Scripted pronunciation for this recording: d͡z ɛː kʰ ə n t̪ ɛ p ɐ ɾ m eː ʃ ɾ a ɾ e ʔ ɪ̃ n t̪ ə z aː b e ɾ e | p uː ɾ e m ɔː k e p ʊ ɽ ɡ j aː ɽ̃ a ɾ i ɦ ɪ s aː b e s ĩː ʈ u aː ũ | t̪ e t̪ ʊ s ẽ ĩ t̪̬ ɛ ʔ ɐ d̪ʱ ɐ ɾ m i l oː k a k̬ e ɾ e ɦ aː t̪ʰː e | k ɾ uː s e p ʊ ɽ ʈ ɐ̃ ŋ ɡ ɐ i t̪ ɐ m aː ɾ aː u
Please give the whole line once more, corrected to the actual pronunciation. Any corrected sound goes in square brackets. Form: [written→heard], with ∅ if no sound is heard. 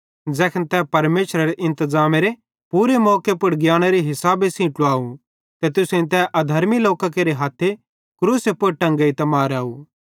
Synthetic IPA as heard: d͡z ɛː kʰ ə n t̪ ɛ p ɐ ɾ m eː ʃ ɾ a ɾ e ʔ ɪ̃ n t̪ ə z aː [b→m] e ɾ e | p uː ɾ e m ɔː k e p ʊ ɽ ɡ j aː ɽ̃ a ɾ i ɦ ɪ s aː b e s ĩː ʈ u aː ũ | t̪ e t̪ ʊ s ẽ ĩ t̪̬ ɛ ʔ ɐ d̪ʱ ɐ ɾ m i l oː k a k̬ e ɾ e ɦ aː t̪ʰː e | k ɾ uː s e p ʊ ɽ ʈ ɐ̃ ŋ ɡ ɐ i t̪ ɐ m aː ɾ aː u